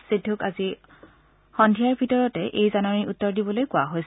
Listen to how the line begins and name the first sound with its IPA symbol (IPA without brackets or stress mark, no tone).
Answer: s